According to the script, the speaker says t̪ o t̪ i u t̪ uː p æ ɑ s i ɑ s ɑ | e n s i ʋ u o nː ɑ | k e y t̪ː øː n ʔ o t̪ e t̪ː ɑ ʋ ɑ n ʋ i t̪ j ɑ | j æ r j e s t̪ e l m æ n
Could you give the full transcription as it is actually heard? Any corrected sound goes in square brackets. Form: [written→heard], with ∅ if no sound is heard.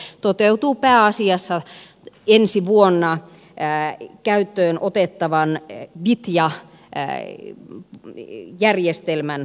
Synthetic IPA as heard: t̪ o t̪ [i→e] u t̪ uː p [æ→æː] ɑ s i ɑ [s→sː] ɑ | e n s i ʋ u o nː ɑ | k [e→æ] y t̪ː øː n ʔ o t̪ e t̪ː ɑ ʋ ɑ n ʋ i t̪ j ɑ | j æ r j e s t̪ e l m æ n